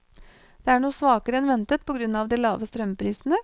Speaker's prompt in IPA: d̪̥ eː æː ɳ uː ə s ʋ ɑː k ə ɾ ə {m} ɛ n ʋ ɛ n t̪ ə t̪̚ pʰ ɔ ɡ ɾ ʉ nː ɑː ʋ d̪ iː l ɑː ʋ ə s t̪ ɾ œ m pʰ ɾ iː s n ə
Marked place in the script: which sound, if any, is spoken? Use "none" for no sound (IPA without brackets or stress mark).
none